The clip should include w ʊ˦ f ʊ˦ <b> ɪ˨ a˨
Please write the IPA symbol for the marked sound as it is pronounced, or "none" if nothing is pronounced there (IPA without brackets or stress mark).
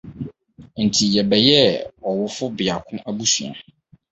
b